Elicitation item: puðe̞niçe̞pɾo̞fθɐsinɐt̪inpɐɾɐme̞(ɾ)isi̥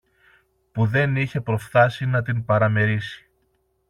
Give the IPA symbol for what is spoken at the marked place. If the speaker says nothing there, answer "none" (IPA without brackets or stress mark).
ɾ